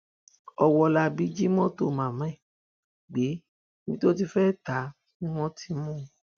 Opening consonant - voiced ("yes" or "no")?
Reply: yes